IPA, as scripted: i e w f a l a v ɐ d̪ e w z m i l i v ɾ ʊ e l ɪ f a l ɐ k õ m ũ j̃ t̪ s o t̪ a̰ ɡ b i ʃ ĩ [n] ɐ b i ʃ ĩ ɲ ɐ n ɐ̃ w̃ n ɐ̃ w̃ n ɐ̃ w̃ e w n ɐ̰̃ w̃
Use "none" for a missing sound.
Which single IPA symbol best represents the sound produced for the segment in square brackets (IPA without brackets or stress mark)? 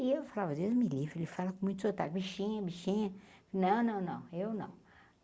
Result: ɲ